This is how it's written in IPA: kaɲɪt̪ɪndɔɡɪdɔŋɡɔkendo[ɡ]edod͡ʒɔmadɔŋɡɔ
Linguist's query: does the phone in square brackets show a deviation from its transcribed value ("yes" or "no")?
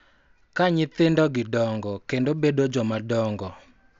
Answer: yes